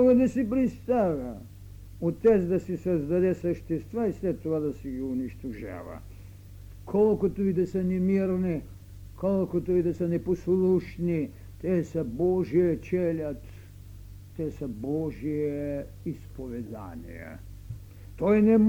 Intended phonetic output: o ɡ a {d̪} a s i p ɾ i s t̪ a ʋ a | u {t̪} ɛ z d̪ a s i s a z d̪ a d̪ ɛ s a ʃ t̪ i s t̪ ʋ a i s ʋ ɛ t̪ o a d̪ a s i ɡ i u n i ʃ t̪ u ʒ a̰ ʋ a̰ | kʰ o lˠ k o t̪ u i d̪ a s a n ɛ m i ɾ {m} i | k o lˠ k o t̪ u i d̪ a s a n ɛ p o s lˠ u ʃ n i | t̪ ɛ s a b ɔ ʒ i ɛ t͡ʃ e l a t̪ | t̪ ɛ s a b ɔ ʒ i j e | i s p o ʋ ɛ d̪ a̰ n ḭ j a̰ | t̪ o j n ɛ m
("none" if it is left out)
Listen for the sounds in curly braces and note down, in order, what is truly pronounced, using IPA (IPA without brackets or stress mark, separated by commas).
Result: d̪, t̪, n